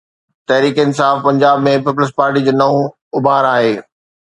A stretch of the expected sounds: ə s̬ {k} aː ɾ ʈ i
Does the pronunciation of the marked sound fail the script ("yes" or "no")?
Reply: yes